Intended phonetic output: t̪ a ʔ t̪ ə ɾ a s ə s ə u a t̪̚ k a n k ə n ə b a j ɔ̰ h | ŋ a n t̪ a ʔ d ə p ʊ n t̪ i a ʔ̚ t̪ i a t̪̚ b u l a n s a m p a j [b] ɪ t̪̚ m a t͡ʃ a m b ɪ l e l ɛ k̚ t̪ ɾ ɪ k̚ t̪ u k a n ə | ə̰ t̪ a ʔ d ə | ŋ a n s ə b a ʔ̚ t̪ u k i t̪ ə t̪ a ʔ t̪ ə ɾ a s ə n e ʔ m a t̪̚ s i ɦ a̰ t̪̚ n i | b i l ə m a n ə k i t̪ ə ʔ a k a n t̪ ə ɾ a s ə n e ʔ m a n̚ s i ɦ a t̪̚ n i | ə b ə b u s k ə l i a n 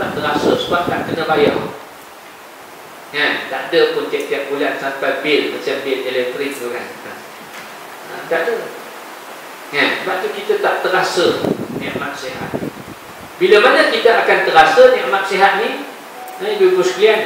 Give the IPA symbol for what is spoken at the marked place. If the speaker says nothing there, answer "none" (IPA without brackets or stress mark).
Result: b